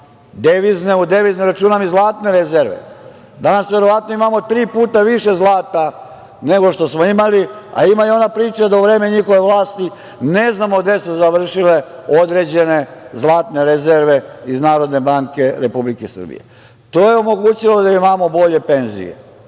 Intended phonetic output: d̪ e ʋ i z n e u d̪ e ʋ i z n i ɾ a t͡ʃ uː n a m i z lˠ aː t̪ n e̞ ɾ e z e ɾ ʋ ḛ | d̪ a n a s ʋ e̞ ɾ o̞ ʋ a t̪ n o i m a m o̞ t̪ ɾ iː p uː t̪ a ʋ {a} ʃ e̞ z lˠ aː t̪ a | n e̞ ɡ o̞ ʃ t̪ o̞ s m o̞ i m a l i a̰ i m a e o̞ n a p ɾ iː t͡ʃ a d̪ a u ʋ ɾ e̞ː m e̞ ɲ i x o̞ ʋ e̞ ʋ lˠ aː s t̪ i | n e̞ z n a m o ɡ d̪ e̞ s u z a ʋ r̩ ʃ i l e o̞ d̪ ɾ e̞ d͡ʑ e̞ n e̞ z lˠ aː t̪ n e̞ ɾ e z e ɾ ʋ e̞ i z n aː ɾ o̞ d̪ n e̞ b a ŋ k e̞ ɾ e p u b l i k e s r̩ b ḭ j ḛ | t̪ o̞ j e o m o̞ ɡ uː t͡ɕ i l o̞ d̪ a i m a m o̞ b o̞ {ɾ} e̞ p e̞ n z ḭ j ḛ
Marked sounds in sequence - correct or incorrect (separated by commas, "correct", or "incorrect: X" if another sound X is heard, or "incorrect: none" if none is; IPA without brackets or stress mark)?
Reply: incorrect: i, incorrect: ʎ